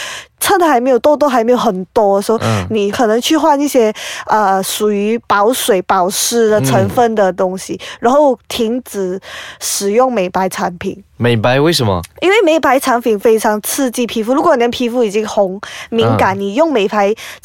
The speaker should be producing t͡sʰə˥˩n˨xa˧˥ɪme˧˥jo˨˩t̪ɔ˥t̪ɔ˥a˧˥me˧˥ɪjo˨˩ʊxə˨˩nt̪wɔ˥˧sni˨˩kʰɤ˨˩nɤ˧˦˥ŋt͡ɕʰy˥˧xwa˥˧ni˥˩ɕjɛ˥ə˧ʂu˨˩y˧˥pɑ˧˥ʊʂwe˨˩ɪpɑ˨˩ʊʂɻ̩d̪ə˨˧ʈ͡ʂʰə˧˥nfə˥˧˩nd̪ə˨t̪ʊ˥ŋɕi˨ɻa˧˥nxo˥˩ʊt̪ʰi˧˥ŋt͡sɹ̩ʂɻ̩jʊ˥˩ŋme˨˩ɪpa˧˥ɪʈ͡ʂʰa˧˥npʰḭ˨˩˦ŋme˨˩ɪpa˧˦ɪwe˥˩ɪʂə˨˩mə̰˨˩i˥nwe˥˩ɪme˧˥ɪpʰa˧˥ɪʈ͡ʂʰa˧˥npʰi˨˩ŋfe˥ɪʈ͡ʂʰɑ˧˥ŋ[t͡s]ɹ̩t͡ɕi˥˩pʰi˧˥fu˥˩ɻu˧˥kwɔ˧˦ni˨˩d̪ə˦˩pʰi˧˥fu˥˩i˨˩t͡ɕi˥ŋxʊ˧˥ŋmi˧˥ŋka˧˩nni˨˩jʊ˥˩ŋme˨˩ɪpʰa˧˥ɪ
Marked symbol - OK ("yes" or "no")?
no